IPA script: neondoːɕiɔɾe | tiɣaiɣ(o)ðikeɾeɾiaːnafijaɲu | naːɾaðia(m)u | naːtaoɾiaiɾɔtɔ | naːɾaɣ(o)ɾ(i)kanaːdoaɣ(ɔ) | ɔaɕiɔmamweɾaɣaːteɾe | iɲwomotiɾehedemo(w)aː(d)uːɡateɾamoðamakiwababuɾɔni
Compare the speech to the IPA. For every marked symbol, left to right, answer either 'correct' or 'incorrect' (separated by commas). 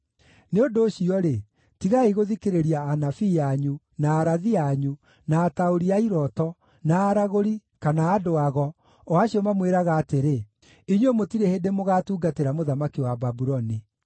correct, incorrect, correct, correct, correct, incorrect, incorrect